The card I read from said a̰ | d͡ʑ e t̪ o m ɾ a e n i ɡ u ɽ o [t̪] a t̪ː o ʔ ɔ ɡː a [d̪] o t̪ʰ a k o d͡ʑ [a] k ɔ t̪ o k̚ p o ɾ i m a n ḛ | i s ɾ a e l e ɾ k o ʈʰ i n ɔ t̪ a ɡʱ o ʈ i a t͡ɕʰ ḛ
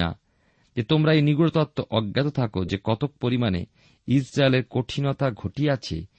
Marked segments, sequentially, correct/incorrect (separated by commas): correct, incorrect, incorrect